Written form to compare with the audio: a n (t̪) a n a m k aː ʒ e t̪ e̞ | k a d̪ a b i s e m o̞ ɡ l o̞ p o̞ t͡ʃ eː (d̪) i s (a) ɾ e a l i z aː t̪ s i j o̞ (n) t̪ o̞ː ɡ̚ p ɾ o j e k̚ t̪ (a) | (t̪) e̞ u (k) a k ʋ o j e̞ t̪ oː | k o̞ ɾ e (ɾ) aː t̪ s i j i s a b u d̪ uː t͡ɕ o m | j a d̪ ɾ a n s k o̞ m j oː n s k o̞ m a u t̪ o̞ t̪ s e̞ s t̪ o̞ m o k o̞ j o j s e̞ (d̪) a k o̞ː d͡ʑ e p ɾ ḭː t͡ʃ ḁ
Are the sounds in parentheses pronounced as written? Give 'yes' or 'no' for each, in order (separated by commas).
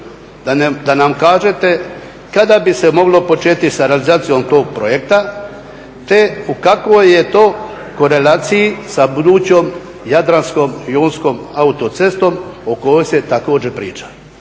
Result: no, no, yes, no, yes, yes, yes, no, no